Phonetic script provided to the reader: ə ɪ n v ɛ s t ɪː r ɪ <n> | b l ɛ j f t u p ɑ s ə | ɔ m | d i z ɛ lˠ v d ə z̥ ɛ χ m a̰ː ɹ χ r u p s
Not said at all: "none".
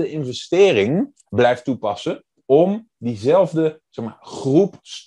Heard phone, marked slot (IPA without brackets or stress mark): ŋ